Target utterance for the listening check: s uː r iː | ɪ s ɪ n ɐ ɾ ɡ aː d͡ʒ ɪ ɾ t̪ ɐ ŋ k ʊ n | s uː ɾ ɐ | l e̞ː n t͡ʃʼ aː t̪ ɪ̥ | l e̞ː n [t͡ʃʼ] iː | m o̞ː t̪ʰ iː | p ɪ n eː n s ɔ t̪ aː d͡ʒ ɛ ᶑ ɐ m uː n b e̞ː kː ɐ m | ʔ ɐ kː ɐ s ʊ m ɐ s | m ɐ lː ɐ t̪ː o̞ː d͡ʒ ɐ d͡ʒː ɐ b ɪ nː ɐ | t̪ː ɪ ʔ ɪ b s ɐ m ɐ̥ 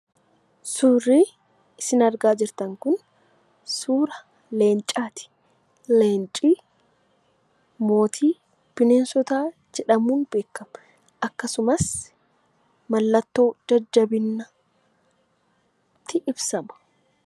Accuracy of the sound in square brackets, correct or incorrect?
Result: correct